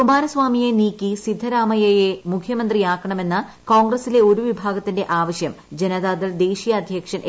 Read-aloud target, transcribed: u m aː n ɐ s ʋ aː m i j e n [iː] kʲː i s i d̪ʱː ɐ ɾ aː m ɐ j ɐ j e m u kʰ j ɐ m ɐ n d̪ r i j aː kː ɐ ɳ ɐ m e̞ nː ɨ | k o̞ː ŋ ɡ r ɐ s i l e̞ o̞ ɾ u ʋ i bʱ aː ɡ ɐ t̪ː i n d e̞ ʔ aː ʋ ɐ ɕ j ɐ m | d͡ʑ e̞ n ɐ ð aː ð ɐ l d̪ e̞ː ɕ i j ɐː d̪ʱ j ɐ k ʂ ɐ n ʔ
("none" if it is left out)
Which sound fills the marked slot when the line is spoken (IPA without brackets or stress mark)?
iː